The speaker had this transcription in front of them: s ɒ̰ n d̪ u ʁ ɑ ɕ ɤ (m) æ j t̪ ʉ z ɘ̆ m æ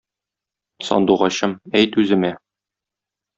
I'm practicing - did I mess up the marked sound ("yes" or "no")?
no